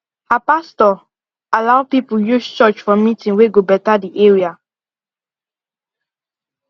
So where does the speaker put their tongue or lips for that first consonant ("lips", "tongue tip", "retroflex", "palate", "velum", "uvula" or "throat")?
throat